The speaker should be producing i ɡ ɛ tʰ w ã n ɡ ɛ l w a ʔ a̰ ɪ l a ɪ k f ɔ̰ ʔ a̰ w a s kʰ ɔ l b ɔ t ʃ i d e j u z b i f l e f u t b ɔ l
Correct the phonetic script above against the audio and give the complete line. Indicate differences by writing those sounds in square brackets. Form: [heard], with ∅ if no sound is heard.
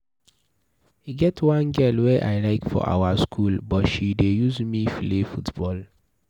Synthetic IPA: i ɡ ɛ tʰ w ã n ɡ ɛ l w [ɛ] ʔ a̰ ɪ l a ɪ k f ɔ̰ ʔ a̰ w a s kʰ [u] l b ɔ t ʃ i d e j u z [m] i f l e f u t b ɔ l